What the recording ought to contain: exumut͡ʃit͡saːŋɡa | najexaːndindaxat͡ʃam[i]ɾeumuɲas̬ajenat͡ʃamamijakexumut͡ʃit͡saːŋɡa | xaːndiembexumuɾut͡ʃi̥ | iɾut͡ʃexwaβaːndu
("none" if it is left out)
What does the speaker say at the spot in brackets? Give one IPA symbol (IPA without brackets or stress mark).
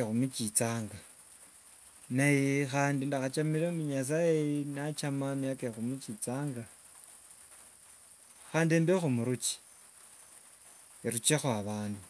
i